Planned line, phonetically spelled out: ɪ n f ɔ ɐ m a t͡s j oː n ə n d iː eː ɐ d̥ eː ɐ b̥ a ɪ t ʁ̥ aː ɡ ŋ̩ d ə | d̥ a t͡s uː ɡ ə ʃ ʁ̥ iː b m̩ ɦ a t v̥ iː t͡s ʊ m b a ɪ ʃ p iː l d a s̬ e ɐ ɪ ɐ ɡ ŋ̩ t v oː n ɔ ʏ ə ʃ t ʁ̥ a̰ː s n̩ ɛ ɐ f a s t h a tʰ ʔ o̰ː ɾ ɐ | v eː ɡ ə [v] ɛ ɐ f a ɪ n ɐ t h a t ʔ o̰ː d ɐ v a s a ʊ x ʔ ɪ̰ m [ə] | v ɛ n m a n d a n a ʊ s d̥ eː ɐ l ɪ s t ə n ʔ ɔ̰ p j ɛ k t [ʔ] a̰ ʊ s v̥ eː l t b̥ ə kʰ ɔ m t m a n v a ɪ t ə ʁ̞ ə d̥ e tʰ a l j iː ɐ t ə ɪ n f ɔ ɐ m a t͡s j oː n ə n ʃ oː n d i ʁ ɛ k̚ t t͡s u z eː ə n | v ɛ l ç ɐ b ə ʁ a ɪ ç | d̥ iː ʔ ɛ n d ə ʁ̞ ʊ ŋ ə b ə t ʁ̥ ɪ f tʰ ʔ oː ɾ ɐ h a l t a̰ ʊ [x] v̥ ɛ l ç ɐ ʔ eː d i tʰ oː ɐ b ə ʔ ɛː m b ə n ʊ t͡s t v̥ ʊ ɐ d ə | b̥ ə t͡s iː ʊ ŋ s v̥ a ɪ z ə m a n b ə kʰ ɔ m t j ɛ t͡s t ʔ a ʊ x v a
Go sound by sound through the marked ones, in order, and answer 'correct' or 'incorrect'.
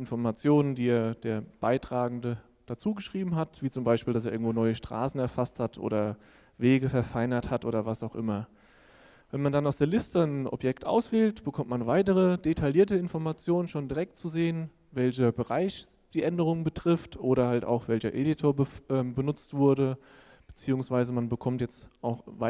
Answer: incorrect, incorrect, correct, correct

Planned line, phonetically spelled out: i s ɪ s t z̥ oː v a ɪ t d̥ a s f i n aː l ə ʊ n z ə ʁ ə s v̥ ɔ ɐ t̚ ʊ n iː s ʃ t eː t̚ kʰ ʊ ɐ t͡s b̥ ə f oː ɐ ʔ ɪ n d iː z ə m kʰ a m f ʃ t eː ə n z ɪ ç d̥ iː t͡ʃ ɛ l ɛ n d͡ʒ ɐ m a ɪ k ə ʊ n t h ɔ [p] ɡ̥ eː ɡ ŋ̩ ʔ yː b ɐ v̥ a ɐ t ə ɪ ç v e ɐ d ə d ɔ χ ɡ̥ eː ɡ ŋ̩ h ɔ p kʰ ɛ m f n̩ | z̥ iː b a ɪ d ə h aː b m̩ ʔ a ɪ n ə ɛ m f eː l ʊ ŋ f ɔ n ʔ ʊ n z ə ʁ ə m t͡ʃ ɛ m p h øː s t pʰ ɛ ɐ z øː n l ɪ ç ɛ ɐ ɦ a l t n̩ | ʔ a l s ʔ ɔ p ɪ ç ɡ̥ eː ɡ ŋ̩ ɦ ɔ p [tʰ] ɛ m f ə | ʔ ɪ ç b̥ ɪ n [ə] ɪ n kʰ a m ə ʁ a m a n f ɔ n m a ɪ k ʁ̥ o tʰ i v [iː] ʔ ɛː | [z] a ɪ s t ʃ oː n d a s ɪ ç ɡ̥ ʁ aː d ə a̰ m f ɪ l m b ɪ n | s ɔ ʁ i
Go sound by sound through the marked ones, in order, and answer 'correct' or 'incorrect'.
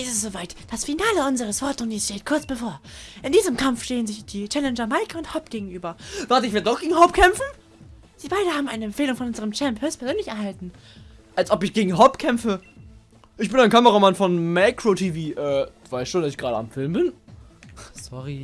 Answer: correct, incorrect, incorrect, correct, incorrect

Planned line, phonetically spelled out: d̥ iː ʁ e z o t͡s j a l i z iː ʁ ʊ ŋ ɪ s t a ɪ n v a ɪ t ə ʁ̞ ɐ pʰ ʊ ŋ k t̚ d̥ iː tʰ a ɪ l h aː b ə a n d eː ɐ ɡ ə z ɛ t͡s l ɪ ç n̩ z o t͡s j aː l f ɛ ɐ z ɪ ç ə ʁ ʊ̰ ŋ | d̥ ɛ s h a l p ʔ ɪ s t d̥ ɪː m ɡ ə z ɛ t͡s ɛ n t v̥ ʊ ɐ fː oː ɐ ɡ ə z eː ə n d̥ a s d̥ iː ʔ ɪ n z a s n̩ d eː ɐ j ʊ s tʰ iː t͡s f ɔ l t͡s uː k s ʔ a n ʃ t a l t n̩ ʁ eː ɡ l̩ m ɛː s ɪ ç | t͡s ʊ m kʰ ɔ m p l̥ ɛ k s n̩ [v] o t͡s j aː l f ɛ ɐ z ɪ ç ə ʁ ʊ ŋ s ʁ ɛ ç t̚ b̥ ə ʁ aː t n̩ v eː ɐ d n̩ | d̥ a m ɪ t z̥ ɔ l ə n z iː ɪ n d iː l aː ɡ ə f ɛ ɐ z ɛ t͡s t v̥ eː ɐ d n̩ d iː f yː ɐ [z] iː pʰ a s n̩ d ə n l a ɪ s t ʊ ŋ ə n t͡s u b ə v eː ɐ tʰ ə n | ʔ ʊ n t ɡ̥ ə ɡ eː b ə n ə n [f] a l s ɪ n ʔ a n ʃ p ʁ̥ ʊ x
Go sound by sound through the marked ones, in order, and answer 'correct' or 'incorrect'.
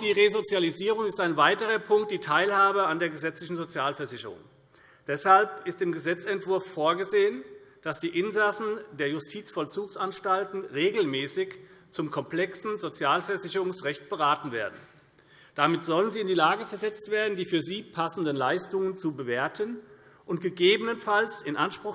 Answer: incorrect, correct, correct

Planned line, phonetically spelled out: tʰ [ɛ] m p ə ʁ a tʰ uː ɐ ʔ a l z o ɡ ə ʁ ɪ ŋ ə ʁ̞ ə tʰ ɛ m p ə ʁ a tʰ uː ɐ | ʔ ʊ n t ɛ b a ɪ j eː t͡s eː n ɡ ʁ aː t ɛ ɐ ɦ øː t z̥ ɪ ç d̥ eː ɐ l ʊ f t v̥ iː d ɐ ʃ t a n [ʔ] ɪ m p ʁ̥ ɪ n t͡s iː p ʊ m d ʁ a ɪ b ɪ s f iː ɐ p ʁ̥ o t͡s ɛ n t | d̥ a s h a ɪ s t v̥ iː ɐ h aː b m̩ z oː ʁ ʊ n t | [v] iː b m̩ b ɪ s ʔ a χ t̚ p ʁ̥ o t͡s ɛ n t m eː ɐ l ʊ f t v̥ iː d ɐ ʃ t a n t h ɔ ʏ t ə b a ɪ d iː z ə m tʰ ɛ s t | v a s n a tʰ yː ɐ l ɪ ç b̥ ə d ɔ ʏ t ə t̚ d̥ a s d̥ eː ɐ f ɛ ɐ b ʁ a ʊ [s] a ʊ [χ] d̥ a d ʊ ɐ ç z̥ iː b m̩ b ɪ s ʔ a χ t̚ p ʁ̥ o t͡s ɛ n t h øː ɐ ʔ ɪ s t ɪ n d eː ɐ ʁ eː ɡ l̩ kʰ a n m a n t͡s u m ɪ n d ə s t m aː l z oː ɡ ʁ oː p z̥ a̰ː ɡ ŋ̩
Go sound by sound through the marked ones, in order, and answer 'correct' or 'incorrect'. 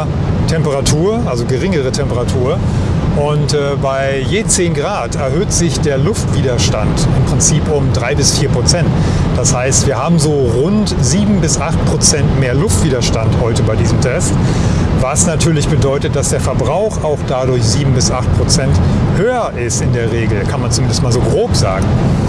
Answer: correct, incorrect, incorrect, incorrect, incorrect

